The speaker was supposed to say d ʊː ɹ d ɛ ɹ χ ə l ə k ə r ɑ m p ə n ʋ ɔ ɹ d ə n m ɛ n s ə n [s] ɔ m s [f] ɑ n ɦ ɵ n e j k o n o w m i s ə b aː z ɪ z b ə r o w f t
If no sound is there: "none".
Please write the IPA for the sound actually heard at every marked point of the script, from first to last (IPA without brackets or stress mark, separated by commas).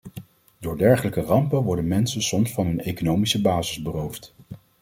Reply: s, f